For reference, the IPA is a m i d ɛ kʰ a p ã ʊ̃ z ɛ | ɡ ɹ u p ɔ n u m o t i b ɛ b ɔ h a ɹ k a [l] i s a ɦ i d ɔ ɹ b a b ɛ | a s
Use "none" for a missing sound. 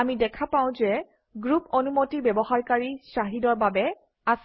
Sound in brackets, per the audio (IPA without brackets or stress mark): ɹ